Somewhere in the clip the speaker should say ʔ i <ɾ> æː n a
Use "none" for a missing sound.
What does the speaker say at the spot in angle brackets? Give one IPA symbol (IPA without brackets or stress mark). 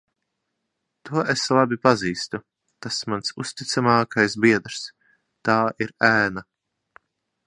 ɾ